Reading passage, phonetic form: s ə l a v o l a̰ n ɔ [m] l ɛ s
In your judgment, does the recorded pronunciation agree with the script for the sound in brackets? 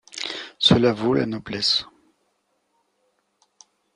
no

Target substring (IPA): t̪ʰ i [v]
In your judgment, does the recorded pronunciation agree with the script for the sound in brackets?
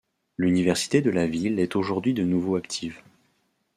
yes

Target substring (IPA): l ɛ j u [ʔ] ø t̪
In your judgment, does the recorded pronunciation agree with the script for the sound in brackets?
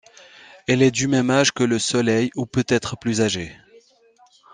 no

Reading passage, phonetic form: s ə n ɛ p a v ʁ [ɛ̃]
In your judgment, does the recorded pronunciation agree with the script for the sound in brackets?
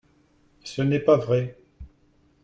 no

